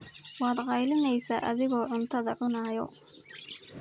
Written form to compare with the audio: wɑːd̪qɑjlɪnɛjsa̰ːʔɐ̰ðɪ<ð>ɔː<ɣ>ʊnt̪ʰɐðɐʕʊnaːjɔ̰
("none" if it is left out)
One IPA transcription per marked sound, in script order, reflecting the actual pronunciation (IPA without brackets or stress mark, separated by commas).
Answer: ɣ, ʕ